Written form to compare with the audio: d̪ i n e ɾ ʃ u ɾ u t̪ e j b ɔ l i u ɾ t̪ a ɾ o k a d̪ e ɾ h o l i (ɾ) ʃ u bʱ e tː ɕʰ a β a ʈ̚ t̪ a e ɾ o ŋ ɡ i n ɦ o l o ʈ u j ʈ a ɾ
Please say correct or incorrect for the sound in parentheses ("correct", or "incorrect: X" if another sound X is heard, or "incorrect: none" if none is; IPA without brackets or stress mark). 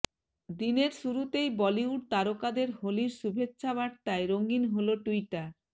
correct